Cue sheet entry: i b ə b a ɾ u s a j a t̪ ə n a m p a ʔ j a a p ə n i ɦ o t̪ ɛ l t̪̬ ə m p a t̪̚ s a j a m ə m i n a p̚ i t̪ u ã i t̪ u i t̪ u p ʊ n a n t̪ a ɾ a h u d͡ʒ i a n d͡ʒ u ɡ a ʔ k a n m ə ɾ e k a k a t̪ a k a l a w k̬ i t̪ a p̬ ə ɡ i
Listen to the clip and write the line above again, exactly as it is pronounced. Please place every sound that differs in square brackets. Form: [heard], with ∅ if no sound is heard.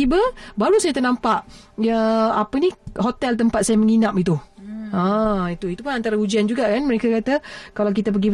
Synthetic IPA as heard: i b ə b a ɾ u s a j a t̪ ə n a m p a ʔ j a a p ə n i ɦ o t̪ ɛ l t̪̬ ə m p a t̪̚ s a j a m ə [ŋ] i n a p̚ i t̪ u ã i t̪ u i t̪ u p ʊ n a n t̪ a ɾ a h u d͡ʒ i a n d͡ʒ u ɡ a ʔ k a n m ə ɾ e k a k a t̪ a k a l a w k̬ i t̪ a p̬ ə ɡ i